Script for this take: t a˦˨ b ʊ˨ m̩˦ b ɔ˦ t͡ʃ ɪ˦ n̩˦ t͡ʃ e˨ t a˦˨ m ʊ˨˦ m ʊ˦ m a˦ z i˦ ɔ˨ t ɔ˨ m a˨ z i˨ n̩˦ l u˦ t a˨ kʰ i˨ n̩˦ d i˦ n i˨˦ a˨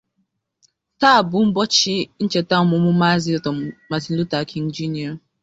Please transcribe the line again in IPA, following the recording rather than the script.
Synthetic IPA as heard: t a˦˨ b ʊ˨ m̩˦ b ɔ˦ t͡ʃ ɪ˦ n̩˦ t͡ʃ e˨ t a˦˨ m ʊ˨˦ m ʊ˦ m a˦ z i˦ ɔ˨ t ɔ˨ m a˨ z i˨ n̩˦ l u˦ t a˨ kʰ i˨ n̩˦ d͡ʒ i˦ n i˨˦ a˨